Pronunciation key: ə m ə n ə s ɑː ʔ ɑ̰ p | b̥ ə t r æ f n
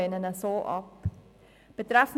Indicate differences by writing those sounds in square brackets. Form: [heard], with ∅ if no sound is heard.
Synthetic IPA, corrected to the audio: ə [n] ə n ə s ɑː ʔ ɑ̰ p | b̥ ə t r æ f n

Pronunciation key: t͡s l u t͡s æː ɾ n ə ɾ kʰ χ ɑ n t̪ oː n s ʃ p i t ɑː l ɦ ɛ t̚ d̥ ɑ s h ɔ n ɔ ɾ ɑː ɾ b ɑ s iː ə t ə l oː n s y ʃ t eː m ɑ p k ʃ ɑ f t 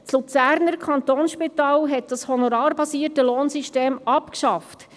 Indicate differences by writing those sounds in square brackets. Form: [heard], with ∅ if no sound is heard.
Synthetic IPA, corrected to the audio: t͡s l u t͡s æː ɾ n ə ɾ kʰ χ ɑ n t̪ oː n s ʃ p i t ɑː l ɦ ɛ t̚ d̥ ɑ s h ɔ n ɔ ɾ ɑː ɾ b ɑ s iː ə t ə l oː n s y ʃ t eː m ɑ p k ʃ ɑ f t

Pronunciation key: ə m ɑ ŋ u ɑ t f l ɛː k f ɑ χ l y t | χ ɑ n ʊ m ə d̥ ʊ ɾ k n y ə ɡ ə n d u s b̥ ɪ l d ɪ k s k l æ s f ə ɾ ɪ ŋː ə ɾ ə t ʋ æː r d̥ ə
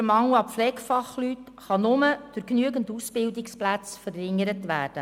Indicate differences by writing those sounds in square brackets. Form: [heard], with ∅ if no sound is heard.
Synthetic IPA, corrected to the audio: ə m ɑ ŋ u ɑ [p] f l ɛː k f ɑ χ l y t | χ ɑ n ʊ m ə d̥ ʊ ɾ k n y ə ɡ ə n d u s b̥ ɪ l d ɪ k s [p] l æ [t͡s] f ə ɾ ɪ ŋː ə ɾ ə t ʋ æː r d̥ ə

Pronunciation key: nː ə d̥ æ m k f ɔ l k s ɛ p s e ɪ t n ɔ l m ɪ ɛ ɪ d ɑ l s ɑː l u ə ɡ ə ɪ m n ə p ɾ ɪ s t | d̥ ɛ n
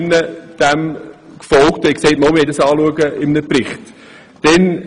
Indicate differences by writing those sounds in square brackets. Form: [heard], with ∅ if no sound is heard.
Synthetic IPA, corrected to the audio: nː ə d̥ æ m k f ɔ l k [t] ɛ [k] s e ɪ t [m] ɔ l m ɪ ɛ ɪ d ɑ [∅] s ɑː l u ə ɡ ə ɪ m n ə p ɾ ɪ [χ] t | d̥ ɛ n

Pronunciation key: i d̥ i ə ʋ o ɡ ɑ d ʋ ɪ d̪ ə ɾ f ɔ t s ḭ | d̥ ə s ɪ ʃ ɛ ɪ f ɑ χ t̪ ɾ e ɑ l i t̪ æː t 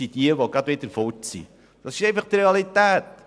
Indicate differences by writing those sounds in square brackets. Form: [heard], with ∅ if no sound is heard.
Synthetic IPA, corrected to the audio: i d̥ i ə ʋ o ɡ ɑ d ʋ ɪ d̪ ə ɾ f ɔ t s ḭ | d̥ [ɑ] s ɪ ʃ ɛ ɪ f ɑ χ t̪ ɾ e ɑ l i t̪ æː t

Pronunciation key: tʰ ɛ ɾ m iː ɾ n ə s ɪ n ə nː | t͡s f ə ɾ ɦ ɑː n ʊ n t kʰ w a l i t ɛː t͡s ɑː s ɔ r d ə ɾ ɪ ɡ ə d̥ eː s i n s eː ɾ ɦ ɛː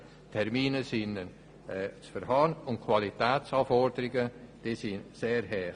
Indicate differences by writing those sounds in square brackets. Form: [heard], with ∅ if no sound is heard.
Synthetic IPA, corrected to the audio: tʰ ɛ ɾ m iː [∅] n ə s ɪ n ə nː | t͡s f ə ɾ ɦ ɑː n ʊ n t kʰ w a l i t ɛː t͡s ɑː [f] ɔ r d ə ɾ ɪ ɡ ə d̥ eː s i n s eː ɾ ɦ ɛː

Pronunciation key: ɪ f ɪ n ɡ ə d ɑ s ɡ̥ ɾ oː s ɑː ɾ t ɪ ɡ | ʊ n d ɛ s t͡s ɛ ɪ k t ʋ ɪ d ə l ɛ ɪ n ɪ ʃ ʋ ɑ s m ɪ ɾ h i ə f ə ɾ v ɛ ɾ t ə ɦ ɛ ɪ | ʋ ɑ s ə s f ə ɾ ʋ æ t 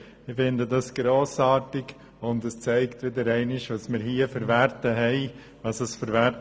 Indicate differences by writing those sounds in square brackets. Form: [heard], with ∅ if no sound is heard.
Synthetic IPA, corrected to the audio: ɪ f ɪ n [d] ə d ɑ s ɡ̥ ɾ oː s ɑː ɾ t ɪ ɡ | ʊ n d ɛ s t͡s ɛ ɪ k t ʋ ɪ d ə [ɾ] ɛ ɪ n ɪ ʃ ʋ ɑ s m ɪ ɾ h i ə f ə ɾ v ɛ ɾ t ə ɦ ɛ ɪ | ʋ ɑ s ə s f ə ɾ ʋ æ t

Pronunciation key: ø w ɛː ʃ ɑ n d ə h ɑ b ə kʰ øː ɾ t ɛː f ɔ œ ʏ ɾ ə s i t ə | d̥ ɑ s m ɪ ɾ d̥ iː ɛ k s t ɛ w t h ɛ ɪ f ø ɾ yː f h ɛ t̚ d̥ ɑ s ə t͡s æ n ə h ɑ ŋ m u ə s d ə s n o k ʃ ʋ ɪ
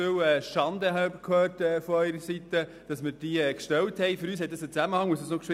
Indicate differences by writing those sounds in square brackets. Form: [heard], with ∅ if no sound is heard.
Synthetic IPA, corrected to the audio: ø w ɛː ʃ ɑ n d ə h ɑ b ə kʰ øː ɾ t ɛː f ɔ œ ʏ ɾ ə s i t ə | d̥ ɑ s m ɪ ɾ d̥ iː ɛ k [ʃ] t ɛ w t h ɛ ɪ f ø ɾ yː [s] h ɛ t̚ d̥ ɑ s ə t͡s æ [m] ə h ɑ ŋ m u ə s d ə s n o k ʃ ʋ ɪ

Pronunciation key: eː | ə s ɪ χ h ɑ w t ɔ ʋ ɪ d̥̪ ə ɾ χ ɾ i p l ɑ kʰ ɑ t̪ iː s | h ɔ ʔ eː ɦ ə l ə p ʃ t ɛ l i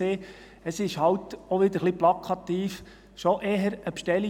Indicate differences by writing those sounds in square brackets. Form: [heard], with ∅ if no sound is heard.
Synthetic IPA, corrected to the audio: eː | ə s ɪ [ʃ] h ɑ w t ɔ ʋ ɪ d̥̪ ə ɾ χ [l] i p l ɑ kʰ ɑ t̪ iː [f] | [ʃ] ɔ ʔ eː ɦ ə [ɾ] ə p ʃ t ɛ l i

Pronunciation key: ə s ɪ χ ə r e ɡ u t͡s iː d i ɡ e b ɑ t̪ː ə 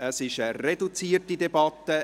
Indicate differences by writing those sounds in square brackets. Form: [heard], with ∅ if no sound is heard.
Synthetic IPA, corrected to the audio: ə s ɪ [ʃ] ə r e [d] u t͡s iː [t] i [d] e b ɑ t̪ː ə

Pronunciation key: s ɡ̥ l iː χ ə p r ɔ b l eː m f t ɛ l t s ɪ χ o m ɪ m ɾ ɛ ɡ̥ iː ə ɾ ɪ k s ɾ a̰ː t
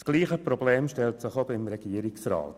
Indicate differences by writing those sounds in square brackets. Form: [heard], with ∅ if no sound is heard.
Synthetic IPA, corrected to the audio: s ɡ̥ l iː χ ə p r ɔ b l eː m [ʃ] t ɛ l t s ɪ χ o [b] ɪ m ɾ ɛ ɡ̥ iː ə ɾ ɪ k s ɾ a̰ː t

